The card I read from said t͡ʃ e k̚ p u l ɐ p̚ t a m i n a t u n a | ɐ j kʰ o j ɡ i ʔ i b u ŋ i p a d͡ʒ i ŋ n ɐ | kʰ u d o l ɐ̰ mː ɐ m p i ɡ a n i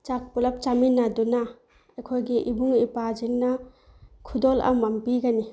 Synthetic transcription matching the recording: t͡ʃ a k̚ p u l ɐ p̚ t͡ʃ a m i n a d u n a | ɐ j kʰ o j ɡ i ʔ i b u ŋ i p a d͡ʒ i ŋ n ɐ | kʰ u d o l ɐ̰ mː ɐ m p i ɡ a n i